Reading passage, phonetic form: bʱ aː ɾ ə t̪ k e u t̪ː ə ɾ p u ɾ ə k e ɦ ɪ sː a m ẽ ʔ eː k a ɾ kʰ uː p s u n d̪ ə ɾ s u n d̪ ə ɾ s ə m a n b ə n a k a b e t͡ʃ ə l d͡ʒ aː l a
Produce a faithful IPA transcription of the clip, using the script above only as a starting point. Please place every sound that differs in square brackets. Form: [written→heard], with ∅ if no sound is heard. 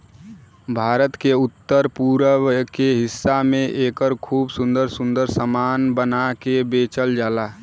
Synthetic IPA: bʱ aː ɾ ə t̪ k e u t̪ː ə ɾ p u ɾ ə k e ɦ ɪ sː a m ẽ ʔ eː k [a→ə] ɾ kʰ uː [p→b] s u n d̪ ə ɾ s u n d̪ ə ɾ s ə m a n b ə n a k [a→e] b e t͡ʃ ə l d͡ʒ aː l a